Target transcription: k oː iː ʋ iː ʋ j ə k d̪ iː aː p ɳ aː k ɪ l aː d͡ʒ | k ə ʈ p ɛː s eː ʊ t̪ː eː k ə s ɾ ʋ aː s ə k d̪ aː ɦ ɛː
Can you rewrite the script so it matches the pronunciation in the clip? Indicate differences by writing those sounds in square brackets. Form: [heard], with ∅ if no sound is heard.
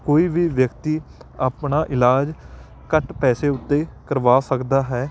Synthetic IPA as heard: k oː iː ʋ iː ʋ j ə k [t̪] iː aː p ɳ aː [ʔ] ɪ l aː d͡ʒ | k ə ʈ p ɛː s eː ʊ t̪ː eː k ə [∅] ɾ ʋ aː s ə k d̪ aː ɦ ɛː